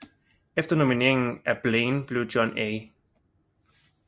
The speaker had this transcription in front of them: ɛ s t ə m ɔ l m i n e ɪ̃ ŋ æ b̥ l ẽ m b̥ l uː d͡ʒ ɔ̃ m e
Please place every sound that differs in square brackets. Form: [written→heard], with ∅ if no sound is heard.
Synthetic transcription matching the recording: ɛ [s→f] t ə [m→n] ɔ [l→∅] m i n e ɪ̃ ŋ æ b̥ l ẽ [m→n] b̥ l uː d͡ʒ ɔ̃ [m→n] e